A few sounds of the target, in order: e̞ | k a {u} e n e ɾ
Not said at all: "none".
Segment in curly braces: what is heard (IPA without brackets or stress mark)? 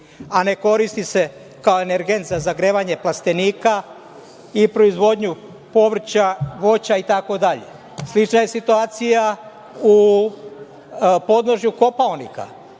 o